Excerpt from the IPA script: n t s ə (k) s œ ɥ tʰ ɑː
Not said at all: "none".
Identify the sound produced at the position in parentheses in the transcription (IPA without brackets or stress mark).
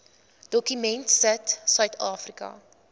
t